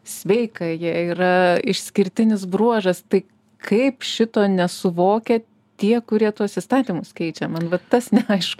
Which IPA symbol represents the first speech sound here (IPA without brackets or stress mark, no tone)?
sʲ